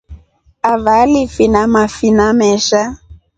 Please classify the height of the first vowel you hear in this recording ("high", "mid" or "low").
low